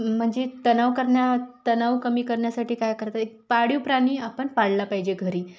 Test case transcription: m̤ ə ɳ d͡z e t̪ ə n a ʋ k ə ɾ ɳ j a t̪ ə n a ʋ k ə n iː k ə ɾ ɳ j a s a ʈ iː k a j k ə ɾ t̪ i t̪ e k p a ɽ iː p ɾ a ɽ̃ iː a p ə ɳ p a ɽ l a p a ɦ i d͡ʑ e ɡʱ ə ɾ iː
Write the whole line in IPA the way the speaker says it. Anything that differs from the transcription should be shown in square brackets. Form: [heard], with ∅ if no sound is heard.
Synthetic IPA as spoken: m̤ ə ɳ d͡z e t̪ ə n a ʋ k ə ɾ ɳ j a t̪ ə n a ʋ k ə [m] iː k ə ɾ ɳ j a s a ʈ iː k a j k ə ɾ t̪ [a] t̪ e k p a ɽ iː p ɾ a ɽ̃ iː a p ə ɳ p a ɽ l a p a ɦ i d͡ʑ e ɡʱ ə ɾ iː